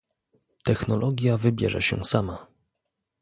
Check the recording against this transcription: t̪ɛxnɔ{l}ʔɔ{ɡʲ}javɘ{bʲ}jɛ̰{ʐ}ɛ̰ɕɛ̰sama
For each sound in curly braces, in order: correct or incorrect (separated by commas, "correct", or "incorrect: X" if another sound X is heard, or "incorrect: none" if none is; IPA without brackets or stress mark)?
correct, correct, correct, correct